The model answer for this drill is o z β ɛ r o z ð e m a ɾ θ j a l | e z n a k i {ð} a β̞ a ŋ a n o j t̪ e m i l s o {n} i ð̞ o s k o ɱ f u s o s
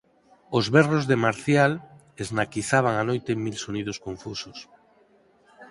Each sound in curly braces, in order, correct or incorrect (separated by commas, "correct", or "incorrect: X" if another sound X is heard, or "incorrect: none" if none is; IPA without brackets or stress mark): incorrect: θ, correct